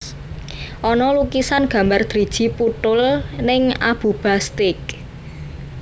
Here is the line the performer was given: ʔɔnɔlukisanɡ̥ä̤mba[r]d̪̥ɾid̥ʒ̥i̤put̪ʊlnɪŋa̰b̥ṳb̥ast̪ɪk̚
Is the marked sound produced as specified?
yes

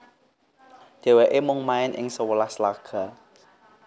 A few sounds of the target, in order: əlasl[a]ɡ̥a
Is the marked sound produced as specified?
yes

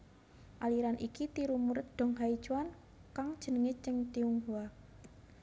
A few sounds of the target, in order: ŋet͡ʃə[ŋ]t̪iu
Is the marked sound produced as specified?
yes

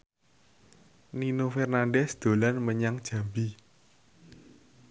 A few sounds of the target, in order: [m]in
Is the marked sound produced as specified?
no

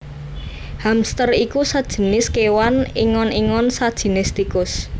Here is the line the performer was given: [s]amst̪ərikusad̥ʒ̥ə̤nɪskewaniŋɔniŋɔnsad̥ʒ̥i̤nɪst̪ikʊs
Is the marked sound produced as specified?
no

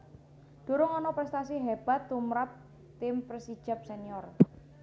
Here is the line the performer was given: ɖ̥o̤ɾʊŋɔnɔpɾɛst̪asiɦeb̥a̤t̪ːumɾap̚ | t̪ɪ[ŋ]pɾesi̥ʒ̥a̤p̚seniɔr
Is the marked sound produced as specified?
no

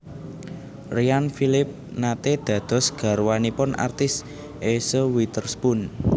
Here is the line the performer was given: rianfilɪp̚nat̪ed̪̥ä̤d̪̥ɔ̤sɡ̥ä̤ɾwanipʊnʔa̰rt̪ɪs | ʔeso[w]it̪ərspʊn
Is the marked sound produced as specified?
yes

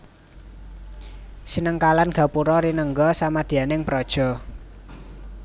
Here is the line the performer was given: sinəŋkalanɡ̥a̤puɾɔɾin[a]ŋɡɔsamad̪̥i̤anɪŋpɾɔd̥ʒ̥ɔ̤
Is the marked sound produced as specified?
no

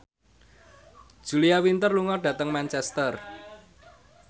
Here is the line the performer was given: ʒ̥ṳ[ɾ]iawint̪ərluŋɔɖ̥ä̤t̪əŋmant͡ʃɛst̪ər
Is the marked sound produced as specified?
no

